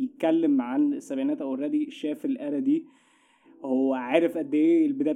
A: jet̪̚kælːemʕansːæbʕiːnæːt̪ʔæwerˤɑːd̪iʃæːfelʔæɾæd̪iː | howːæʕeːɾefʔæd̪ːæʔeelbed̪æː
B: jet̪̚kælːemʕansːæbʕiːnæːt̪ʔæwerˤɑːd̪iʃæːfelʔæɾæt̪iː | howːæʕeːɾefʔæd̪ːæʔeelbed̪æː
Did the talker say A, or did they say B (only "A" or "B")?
A